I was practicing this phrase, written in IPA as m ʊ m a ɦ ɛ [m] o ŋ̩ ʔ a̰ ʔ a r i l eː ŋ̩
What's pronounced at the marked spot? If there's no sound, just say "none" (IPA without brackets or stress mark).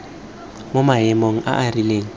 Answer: m